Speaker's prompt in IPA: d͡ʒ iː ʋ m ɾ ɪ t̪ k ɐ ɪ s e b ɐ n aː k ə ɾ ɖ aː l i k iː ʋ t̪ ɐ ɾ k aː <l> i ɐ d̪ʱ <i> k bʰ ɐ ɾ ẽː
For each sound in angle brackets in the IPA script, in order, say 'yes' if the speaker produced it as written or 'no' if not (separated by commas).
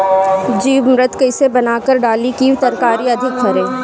no, no